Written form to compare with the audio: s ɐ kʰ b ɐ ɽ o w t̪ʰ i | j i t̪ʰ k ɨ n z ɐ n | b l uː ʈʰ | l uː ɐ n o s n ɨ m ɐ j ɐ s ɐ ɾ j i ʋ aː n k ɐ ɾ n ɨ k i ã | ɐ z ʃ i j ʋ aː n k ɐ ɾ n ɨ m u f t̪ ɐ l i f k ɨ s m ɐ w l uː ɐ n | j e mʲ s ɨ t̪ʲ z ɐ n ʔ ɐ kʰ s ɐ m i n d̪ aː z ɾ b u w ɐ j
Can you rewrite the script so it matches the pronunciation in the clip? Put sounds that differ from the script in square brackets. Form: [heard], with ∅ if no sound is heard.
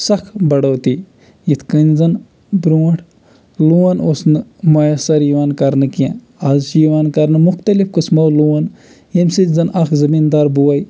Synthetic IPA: s ɐ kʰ b ɐ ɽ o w [t̪] i | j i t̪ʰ k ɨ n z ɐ n | b [ɾ] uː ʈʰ | l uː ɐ n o s n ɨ m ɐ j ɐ s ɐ ɾ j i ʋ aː n k ɐ ɾ n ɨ k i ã | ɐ z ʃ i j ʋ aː n k ɐ ɾ n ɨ m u [x] t̪ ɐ l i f k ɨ s m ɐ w l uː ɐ n | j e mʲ s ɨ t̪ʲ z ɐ n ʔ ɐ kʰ [z] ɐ m i n d̪ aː [∅] ɾ b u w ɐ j